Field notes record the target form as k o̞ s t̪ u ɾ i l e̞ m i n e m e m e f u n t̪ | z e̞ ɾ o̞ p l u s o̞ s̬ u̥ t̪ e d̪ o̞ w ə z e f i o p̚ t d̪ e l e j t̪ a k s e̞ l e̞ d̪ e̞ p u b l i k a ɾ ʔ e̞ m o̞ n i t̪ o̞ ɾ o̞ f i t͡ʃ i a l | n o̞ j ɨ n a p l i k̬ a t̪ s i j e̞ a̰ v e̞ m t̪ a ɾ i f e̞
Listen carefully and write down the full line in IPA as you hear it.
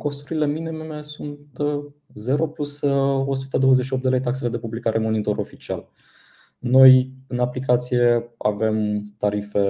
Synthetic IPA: k o̞ s t̪ u ɾ i l e̞ m i n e m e m e s u n t̪ | z e̞ ɾ o̞ p l u s o̞ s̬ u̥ t̪ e d̪ o̞ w ə z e ʃ i o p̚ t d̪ e l e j t̪ a k s e̞ l e̞ d̪ e̞ p u b l i k a ɾ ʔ e̞ m o̞ n i t̪ o̞ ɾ o̞ f i t͡ʃ i a l | n o̞ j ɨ n a p l i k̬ a t̪ s i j e̞ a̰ v e̞ m t̪ a ɾ i f e̞